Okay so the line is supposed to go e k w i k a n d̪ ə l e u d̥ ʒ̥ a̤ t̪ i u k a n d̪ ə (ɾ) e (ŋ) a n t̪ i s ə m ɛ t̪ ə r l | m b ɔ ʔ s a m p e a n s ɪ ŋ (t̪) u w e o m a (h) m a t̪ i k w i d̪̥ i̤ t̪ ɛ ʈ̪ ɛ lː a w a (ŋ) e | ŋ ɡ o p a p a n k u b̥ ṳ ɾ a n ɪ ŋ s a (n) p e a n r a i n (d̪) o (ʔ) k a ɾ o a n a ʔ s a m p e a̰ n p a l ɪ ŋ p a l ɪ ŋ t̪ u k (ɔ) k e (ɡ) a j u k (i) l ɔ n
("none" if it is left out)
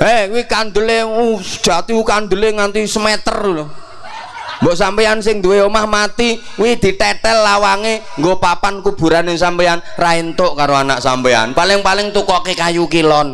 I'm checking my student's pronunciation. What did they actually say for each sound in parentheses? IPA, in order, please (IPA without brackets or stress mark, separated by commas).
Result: l, ŋ, d̪, h, ŋ, m, t̪, ʔ, ɔ, k, i